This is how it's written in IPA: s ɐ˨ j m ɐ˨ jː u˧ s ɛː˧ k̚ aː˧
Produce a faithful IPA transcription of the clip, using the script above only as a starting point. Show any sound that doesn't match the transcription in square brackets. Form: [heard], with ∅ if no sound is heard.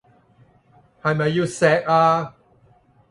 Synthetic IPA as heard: [h] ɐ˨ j m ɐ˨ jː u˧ s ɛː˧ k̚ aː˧